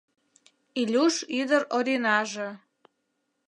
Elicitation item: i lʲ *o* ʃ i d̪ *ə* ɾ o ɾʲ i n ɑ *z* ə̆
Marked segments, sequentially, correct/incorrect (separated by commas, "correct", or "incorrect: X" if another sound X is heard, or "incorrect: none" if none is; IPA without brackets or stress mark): incorrect: u, correct, incorrect: ʒ